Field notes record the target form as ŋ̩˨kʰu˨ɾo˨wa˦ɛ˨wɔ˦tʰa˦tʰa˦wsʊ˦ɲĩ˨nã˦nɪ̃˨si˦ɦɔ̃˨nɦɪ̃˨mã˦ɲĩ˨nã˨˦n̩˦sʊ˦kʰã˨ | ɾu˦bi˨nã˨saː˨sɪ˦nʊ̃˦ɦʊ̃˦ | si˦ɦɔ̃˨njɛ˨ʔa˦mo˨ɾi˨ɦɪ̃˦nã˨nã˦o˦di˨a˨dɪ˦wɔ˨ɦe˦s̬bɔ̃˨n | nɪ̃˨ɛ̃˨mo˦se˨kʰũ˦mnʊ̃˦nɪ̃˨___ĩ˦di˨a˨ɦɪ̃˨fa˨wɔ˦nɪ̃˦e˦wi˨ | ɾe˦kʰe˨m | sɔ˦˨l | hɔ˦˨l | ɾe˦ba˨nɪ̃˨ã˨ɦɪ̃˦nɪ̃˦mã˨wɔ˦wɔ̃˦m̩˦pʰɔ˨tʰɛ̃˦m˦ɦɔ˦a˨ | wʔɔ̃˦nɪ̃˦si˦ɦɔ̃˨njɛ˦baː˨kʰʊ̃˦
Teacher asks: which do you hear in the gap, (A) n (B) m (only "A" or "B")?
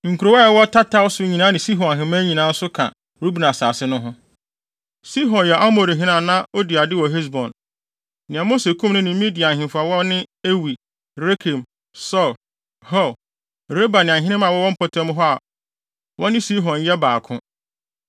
B